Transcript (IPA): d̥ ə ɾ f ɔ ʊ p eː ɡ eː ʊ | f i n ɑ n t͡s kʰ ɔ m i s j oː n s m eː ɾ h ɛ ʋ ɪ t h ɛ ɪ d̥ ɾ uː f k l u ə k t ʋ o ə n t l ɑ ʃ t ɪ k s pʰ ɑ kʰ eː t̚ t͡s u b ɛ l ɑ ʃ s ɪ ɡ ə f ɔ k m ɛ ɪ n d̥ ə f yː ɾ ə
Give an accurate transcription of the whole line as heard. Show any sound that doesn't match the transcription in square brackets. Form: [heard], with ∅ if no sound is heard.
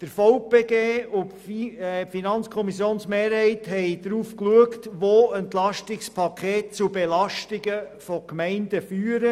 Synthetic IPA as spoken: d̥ ə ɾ f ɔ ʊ p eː ɡ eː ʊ | f i n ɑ n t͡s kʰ ɔ m i s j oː n s m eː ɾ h ɛ [∅] ɪ t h ɛ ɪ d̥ ɾ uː f k l u ə k t ʋ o ə n t l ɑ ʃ t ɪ k s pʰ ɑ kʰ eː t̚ t͡s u b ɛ l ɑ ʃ [t] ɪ ɡ ə f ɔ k m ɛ ɪ n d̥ ə f yː ɾ ə